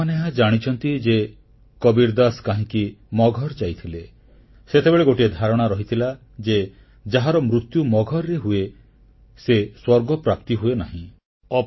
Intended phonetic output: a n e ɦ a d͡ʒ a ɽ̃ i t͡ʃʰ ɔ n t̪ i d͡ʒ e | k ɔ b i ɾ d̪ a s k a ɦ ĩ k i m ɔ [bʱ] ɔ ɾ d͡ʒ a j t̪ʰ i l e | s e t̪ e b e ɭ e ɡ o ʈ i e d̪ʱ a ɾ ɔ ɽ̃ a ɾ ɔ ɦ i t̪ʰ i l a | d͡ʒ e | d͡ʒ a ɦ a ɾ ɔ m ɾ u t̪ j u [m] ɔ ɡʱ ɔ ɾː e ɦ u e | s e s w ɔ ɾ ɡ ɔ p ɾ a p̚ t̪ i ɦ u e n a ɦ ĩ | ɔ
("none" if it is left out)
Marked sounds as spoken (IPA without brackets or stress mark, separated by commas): ɡʱ, m